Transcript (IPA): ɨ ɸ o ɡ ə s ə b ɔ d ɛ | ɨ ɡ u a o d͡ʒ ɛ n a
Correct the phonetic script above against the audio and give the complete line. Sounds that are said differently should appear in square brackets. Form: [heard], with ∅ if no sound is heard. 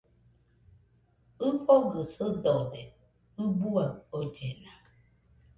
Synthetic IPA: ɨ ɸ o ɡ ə s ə [d] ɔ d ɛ | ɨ [b] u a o d͡ʒ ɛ n a